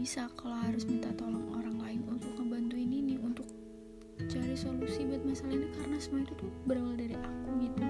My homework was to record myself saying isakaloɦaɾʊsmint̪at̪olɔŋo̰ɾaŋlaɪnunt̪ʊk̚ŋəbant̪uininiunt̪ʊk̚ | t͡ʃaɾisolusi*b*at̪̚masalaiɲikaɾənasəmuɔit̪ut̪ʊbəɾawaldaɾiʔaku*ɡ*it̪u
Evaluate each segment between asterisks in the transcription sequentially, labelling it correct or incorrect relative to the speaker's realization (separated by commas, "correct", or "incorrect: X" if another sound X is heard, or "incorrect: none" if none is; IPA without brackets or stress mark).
correct, correct